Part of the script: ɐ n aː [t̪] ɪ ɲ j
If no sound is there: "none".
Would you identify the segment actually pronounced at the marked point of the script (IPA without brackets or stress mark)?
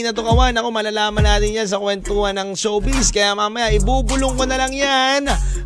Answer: t̪